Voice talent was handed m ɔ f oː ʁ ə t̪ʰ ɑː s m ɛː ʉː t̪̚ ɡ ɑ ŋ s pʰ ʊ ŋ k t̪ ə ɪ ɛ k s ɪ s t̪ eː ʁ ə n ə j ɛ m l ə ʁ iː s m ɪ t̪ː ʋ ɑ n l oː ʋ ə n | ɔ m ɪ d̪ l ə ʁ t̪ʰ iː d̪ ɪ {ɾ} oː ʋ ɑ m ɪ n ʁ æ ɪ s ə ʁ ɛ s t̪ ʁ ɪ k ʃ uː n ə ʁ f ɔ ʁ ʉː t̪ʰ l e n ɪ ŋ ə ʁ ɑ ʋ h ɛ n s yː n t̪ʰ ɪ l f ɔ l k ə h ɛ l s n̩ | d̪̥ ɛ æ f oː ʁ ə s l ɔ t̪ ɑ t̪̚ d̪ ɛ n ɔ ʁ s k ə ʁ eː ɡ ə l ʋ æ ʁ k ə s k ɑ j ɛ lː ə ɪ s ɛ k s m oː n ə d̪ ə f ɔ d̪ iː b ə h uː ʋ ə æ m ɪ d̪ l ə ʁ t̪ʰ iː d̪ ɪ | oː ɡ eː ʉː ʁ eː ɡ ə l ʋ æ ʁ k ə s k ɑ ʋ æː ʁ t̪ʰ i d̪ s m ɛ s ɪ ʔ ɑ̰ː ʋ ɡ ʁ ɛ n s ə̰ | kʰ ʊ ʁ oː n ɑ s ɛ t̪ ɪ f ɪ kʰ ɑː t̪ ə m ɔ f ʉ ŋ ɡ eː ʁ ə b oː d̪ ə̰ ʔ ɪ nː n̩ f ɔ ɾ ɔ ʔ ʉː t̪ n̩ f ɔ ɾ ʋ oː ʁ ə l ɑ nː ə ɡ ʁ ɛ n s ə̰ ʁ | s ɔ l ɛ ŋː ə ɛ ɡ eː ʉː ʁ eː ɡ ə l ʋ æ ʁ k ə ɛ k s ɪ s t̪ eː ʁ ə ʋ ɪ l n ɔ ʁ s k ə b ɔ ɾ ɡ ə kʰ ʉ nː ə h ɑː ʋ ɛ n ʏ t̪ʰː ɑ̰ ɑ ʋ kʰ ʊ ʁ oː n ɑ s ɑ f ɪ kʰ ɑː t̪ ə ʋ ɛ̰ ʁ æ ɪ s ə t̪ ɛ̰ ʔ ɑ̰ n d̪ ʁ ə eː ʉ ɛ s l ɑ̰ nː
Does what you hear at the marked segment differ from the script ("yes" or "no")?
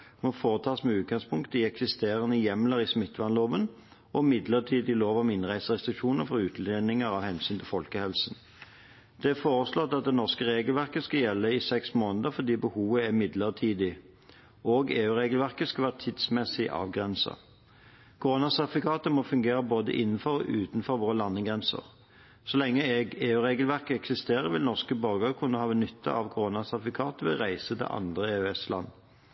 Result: yes